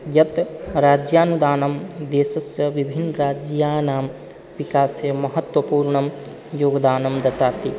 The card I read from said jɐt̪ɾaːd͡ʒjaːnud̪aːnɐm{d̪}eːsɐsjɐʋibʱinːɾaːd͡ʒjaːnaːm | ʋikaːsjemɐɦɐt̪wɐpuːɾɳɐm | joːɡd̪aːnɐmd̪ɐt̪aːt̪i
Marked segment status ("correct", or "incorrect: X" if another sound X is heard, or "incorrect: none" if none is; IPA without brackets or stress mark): correct